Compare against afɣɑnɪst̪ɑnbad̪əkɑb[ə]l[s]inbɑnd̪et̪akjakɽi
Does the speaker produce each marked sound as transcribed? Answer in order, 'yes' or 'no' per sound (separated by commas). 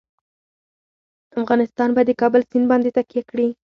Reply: yes, yes